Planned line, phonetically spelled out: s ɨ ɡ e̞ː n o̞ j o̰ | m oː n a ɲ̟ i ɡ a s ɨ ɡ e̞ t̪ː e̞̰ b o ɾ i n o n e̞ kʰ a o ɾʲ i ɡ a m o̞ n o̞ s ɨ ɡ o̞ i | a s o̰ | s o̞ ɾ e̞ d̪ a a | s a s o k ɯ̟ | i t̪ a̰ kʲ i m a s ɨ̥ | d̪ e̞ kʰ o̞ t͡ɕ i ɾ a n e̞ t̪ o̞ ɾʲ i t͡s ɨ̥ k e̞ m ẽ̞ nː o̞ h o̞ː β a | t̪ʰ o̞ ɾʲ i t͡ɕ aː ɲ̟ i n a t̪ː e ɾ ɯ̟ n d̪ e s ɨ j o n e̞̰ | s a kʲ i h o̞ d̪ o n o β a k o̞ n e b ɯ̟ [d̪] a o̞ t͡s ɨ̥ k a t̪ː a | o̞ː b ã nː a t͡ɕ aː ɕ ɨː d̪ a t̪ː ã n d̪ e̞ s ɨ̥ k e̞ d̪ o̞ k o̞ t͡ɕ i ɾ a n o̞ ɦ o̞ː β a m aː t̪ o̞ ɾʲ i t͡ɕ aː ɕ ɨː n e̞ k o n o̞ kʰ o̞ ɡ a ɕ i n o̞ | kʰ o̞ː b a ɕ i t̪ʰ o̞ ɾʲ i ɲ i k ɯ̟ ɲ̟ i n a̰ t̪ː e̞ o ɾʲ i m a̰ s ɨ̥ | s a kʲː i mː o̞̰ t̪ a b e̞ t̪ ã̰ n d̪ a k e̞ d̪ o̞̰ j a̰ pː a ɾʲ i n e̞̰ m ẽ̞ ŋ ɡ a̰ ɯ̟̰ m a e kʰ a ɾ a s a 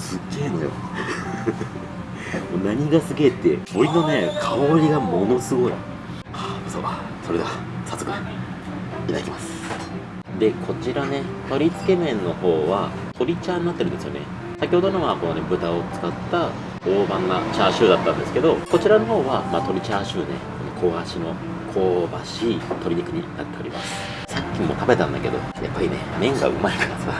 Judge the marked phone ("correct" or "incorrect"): incorrect